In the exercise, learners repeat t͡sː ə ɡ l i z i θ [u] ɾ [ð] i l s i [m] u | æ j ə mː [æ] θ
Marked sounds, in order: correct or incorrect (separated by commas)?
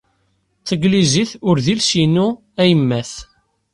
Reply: incorrect, correct, incorrect, correct